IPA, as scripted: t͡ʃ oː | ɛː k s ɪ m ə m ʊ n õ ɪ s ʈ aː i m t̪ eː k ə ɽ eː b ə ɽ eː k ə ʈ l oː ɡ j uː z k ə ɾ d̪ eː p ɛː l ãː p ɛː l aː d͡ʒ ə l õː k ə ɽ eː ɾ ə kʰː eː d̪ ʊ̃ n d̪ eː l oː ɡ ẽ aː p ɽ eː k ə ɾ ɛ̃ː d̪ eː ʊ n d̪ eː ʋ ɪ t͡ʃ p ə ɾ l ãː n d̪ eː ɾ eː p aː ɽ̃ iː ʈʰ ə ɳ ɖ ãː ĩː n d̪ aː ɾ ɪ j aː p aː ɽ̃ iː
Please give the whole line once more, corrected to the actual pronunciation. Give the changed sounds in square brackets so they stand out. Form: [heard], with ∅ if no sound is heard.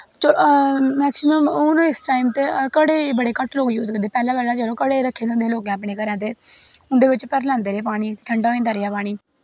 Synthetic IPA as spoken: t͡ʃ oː | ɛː k s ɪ m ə m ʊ n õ ɪ s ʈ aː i m t̪ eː k ə ɽ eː b ə ɽ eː k ə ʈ l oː ɡ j uː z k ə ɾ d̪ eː p ɛː l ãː p ɛː l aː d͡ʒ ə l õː k ə ɽ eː ɾ ə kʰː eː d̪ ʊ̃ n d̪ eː l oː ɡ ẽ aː p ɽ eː k ə ɾ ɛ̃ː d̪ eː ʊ n d̪ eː ʋ ɪ t͡ʃ p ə ɾ l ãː n d̪ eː ɾ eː p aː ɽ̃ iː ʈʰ ə ɳ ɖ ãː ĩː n d̪ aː ɾ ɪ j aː p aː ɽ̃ iː